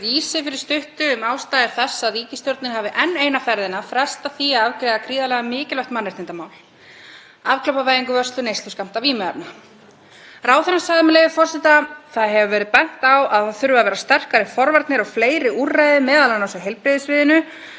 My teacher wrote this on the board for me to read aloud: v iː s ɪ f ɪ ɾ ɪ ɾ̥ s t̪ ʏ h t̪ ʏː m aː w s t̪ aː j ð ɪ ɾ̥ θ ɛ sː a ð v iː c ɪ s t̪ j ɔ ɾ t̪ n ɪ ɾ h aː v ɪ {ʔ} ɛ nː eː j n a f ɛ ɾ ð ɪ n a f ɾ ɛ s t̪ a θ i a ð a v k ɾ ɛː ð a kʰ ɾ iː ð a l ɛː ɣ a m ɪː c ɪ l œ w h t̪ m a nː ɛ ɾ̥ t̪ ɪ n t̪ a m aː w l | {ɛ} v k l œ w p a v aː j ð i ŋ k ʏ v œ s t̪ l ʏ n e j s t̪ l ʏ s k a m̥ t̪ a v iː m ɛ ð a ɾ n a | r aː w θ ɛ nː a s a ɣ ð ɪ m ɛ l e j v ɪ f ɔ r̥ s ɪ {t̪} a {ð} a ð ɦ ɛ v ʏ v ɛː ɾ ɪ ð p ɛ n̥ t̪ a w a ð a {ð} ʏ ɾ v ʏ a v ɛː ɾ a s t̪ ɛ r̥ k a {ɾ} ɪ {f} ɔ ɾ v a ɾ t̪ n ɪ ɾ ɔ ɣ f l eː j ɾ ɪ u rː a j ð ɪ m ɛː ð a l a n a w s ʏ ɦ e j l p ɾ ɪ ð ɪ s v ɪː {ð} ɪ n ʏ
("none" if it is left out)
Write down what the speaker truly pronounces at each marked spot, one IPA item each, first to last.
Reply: ʔ, a, t̪, θ, θ, ɾ, f, ð

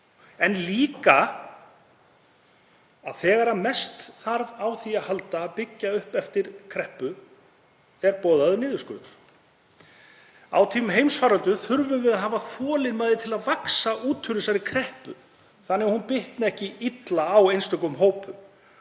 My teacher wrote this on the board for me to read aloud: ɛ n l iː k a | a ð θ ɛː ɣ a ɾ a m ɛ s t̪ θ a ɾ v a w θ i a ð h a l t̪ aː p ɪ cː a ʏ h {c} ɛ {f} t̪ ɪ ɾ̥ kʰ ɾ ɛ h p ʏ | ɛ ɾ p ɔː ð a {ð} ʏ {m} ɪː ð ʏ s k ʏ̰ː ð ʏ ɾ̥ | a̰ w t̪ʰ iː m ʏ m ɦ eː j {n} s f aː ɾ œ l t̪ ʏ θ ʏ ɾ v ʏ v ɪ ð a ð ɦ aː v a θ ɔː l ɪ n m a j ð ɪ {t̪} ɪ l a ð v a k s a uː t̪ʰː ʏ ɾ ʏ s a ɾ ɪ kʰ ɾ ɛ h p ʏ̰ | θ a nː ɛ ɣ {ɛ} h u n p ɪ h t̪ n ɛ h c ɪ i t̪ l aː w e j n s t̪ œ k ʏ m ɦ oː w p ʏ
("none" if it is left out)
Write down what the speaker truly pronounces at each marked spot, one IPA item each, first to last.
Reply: p, f, ð, n, m, t̪ʰ, a

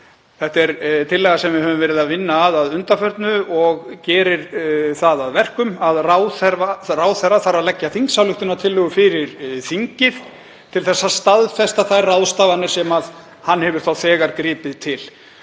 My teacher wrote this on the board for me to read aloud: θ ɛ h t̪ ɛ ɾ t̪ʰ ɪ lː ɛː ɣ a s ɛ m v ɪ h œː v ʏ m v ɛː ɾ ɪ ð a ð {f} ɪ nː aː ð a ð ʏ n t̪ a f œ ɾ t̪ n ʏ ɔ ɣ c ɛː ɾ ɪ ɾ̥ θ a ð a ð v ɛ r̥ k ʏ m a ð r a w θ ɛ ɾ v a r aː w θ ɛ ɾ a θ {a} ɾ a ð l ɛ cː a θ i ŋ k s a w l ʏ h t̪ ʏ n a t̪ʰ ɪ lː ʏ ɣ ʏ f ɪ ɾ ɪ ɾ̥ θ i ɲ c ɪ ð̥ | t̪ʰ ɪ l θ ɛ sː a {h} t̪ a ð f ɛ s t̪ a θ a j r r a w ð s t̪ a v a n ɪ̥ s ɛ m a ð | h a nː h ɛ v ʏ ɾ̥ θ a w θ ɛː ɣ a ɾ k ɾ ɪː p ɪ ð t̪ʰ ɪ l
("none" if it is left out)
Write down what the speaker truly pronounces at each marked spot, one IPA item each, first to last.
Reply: v, a, s

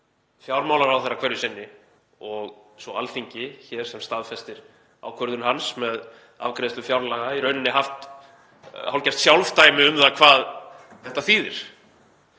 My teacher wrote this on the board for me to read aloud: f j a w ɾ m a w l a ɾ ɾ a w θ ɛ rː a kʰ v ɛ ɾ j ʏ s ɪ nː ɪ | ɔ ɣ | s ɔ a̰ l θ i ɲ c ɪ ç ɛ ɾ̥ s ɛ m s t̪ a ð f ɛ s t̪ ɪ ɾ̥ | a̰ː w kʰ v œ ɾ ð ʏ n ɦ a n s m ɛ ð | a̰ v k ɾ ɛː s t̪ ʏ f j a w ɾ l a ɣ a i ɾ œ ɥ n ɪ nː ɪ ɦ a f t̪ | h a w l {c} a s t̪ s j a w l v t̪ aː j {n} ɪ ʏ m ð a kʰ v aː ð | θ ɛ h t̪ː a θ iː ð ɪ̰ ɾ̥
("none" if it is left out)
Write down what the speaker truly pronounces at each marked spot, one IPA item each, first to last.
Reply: c, m

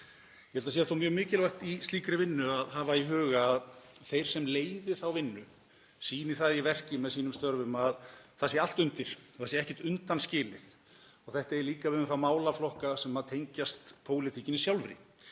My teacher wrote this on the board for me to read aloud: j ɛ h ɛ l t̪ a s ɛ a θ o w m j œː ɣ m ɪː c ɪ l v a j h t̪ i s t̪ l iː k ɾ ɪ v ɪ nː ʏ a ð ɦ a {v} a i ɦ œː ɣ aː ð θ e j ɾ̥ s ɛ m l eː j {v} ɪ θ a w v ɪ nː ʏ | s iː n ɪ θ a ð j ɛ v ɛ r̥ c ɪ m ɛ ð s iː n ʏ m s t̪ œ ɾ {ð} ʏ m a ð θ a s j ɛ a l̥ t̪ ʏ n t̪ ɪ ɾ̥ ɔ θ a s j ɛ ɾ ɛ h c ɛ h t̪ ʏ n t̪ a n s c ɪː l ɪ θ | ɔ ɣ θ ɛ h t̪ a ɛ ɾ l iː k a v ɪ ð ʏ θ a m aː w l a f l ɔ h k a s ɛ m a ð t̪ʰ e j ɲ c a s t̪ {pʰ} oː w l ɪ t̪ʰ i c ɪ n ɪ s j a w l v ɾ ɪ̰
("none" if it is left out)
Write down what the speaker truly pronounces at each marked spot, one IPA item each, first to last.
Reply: v, ð, v, pʰ

